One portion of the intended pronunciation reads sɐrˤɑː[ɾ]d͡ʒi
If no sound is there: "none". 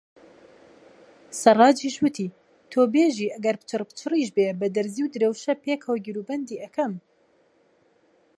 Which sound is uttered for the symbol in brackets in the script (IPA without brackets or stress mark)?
none